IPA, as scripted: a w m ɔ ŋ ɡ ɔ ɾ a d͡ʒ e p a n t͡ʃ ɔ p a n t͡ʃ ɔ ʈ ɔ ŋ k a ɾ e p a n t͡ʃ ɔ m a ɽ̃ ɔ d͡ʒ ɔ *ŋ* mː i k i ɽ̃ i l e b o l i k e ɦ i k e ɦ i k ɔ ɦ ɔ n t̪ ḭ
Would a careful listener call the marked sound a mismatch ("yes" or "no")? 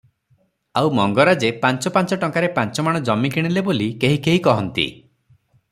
yes